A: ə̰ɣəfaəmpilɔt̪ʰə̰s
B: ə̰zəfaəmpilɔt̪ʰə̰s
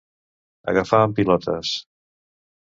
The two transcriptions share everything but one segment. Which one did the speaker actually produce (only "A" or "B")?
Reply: A